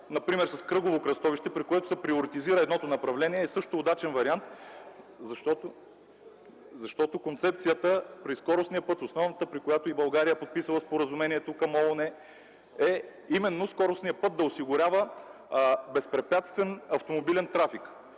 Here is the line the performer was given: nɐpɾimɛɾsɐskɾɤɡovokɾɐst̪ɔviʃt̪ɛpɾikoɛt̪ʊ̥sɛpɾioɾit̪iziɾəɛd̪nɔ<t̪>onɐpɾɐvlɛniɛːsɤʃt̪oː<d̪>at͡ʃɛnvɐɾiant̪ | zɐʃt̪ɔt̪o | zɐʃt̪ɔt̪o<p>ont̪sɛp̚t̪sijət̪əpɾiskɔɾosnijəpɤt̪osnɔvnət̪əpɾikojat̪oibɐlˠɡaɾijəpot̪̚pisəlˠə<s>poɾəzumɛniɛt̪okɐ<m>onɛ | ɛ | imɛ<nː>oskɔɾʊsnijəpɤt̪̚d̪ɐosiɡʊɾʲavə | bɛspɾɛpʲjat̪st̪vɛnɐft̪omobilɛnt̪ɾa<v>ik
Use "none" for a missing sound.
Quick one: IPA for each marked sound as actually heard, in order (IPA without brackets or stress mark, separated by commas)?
t̪, d̪, k, s, m, nː, f